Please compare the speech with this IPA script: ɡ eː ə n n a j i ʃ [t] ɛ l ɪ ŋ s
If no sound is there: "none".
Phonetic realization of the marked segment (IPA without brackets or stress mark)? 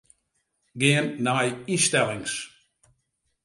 t